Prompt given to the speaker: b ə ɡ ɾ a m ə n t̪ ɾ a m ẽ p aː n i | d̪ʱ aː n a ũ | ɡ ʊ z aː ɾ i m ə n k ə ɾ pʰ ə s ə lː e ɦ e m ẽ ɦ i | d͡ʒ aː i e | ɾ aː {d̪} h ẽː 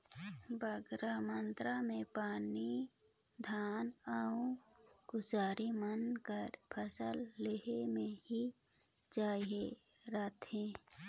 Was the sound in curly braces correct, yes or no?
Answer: no